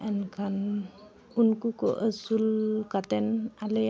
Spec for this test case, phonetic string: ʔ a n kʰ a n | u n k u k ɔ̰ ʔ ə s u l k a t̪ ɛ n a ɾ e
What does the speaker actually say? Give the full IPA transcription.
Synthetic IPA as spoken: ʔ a n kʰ a n | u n k u k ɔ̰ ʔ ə s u l k a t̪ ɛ n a l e